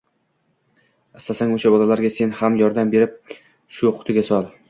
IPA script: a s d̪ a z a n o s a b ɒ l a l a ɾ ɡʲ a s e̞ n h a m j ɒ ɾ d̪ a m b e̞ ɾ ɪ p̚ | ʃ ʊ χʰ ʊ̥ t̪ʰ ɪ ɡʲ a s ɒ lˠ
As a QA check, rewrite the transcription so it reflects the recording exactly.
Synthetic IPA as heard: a s t̪ a s a ŋ o ʃ a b ɒ l a l a ɾ ɡʲ a s e̞ n h a m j ɒ ɾ d̪ a m b e̞ ɾ ɪ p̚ | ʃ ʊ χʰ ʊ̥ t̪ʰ ɪ ɡʲ a s ɒ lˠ